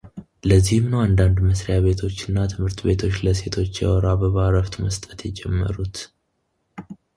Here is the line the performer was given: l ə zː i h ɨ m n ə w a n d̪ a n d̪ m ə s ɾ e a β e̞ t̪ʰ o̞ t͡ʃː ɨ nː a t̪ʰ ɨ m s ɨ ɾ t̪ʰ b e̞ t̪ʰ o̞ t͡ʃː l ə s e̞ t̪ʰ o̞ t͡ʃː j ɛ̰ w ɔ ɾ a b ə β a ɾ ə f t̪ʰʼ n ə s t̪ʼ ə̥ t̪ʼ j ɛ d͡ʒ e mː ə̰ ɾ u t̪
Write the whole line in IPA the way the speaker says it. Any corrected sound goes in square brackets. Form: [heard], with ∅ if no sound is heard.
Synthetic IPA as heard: l ə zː i h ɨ m n ə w a n d̪ a n d̪ m ə s ɾ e a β e̞ t̪ʰ o̞ t͡ʃː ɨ nː a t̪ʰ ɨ m [h] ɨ ɾ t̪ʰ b e̞ t̪ʰ o̞ t͡ʃː l ə s e̞ t̪ʰ o̞ t͡ʃː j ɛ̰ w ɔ ɾ a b ə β a ɾ ə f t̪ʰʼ [m] ə s t̪ʼ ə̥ [t̪] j ɛ d͡ʒ [ɛ] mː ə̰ ɾ u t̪